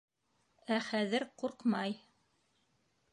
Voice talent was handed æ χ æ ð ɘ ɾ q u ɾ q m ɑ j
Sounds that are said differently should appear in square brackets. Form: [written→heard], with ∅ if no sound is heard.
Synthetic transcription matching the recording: æ χ æ ð ɘ ɾ q u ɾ q m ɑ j